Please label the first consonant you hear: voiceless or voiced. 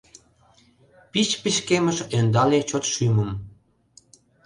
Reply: voiceless